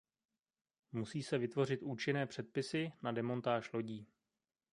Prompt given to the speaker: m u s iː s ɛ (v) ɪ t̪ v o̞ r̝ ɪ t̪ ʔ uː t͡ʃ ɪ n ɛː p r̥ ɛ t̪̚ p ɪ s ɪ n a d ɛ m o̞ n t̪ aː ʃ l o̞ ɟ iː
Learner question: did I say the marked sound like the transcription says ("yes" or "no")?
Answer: yes